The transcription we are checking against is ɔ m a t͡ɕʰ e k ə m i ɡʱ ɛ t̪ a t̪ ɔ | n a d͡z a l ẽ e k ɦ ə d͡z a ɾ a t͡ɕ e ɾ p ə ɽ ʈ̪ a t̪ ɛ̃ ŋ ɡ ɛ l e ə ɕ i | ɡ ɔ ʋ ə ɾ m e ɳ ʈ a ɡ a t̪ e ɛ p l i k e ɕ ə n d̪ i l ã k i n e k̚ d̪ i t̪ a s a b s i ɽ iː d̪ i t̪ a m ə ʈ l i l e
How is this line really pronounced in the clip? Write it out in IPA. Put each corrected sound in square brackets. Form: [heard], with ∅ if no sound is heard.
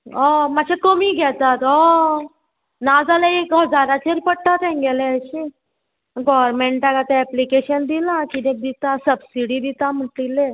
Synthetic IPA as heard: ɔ m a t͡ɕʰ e k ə m i ɡʱ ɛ t̪ a t̪ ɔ | n a d͡z a l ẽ e k ɦ ə d͡z a ɾ a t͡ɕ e ɾ p ə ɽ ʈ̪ a t̪ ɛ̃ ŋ ɡ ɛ l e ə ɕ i | ɡ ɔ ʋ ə ɾ m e ɳ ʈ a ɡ a t̪ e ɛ p l i k e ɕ ə n d̪ i l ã k i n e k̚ d̪ i t̪ a s [ə] b s i ɽ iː d̪ i t̪ a m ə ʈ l i l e

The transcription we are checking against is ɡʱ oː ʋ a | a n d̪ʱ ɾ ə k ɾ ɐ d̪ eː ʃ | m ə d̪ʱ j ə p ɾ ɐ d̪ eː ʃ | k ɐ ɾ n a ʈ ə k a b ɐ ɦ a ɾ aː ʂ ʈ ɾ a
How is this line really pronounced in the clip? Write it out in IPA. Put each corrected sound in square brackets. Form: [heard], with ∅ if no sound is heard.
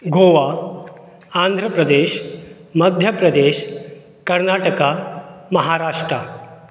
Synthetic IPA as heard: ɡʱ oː ʋ a | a n d̪ʱ ɾ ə [p] ɾ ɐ d̪ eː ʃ | m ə d̪ʱ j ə p ɾ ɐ d̪ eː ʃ | k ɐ ɾ n a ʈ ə k a [m] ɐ ɦ a ɾ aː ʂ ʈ ɾ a

